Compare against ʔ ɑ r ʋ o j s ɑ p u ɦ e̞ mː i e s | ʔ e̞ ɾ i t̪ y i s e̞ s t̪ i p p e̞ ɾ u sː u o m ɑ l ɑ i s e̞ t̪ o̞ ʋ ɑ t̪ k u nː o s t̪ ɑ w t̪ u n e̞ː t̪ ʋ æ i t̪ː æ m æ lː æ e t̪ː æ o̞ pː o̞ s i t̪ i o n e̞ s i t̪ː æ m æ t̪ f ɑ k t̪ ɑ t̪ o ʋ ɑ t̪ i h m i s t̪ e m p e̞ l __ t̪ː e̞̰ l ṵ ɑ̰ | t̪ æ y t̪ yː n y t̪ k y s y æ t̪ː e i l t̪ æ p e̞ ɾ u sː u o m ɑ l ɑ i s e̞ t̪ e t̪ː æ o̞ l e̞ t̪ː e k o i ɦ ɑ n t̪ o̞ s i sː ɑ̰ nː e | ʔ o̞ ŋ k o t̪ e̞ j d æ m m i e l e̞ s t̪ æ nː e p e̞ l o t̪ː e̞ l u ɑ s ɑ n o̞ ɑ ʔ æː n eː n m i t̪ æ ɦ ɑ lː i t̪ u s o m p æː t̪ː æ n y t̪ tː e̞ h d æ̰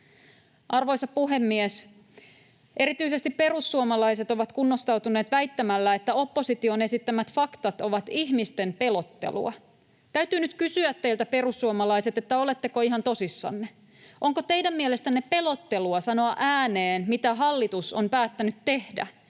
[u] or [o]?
o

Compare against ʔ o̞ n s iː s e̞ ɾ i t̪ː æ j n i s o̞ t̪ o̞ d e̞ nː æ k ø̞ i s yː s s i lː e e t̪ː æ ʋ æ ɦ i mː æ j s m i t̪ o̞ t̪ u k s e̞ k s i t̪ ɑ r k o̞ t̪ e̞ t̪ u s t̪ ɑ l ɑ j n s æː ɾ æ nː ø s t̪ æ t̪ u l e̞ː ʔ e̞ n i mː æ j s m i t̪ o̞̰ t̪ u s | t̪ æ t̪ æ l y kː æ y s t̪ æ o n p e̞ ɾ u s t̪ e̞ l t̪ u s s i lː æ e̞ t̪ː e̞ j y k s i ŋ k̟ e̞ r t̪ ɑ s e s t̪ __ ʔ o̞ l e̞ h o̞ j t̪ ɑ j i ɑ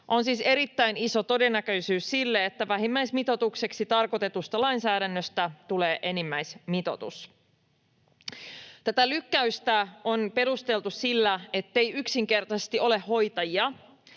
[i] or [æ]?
i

